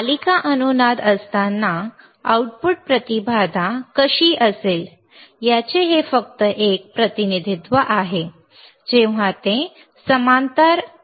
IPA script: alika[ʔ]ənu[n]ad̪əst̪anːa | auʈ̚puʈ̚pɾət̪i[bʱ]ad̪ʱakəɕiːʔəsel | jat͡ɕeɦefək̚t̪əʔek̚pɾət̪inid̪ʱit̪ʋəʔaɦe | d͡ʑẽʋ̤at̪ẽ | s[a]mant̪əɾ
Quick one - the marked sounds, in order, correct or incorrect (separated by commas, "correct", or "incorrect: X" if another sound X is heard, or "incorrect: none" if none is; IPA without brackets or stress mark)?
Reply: correct, correct, correct, incorrect: ə